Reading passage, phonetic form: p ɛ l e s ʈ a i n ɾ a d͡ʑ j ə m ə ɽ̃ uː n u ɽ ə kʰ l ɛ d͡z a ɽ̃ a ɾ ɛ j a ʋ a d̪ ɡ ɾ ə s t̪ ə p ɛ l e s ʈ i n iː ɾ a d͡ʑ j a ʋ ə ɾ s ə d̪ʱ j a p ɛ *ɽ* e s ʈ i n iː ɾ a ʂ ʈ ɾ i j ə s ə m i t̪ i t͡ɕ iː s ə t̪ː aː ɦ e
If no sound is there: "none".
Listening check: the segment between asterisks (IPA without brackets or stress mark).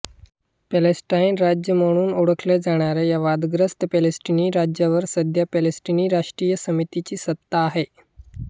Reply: l